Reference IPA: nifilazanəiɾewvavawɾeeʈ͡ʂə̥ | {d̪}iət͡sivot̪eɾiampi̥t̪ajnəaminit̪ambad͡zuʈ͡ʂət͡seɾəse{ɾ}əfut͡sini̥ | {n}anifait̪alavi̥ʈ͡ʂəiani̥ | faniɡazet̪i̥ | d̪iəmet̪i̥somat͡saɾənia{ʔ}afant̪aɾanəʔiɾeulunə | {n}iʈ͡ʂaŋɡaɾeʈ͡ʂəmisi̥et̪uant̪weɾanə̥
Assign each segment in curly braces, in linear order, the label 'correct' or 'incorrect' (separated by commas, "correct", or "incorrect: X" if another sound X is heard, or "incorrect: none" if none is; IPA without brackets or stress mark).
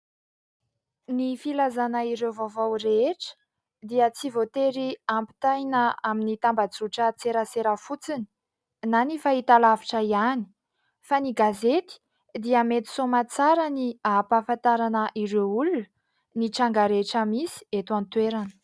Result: correct, correct, correct, incorrect: p, correct